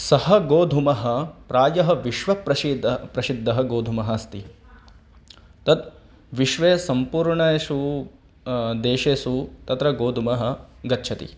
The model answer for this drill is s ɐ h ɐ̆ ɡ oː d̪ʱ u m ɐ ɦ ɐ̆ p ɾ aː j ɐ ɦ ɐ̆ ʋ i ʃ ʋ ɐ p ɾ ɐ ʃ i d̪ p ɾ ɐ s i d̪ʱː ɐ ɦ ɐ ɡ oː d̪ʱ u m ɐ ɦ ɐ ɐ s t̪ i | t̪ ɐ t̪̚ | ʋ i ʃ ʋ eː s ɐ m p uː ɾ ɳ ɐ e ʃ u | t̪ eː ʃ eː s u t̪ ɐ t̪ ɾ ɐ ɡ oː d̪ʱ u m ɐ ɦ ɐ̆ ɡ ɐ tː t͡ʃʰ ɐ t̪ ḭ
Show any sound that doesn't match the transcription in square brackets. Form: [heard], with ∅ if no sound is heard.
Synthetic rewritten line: s ɐ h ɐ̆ ɡ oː d̪ʱ u m ɐ ɦ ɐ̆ p ɾ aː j ɐ ɦ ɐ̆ ʋ i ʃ ʋ ɐ p ɾ ɐ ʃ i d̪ p ɾ ɐ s i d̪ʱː ɐ ɦ ɐ ɡ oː d̪ʱ u m ɐ ɦ ɐ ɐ s t̪ i | t̪ ɐ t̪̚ | ʋ i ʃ ʋ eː s ɐ m p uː ɾ ɳ ɐ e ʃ u | [d̪] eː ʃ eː s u t̪ ɐ t̪ ɾ ɐ ɡ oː d̪ʱ u m ɐ ɦ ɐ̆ ɡ ɐ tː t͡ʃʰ ɐ t̪ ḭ

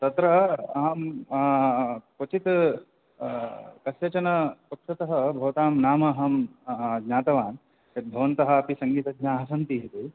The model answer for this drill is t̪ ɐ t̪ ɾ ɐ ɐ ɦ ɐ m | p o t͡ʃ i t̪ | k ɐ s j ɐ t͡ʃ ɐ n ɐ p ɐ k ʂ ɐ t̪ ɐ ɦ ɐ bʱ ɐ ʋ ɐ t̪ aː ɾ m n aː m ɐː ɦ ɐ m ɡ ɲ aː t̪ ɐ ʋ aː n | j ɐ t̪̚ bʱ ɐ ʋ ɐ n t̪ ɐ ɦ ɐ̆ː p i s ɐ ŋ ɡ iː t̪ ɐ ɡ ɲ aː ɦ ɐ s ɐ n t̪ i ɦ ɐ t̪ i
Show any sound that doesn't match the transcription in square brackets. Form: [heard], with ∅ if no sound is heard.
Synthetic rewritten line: t̪ ɐ t̪ ɾ ɐ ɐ ɦ ɐ m | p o t͡ʃ i t̪ | k ɐ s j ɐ t͡ʃ ɐ n ɐ p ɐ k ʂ ɐ t̪ ɐ ɦ ɐ bʱ ɐ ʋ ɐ t̪ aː [∅] m n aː m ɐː ɦ ɐ m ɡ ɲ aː t̪ ɐ ʋ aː n | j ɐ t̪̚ bʱ ɐ ʋ ɐ n t̪ ɐ ɦ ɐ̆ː p i s ɐ ŋ ɡ iː t̪ ɐ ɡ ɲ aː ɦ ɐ s ɐ n t̪ i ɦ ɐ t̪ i

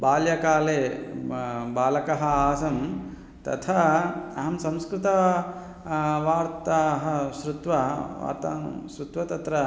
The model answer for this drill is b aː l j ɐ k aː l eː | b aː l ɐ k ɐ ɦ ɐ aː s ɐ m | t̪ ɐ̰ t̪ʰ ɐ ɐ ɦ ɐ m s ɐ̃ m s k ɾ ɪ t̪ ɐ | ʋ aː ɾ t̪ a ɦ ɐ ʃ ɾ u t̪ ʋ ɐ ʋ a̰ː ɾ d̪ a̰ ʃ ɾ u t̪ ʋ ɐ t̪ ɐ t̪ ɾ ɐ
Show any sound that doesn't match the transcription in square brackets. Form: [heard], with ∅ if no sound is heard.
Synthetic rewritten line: b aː l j ɐ k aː l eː | b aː l ɐ k ɐ ɦ ɐ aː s ɐ m | t̪ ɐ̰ t̪ʰ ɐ ɐ ɦ ɐ m s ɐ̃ m s k ɾ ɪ t̪ ɐ | ʋ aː ɾ t̪ a ɦ ɐ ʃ ɾ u t̪ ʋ ɐ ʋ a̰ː ɾ [t̪] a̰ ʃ ɾ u t̪ ʋ ɐ t̪ ɐ t̪ ɾ ɐ

